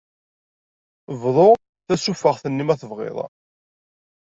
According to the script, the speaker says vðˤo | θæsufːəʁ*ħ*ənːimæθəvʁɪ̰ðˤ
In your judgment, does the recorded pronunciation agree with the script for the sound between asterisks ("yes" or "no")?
no